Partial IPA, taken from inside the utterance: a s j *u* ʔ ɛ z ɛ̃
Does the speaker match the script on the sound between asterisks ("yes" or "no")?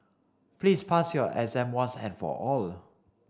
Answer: no